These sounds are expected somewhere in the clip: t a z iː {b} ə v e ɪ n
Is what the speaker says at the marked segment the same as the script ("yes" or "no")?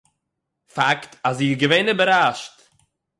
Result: no